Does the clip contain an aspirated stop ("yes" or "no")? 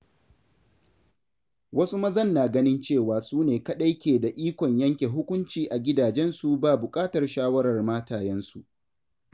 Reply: no